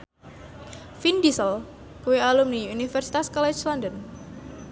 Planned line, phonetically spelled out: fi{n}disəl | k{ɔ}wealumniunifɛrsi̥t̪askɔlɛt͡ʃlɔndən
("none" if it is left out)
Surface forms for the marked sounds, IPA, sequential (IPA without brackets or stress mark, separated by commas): n, u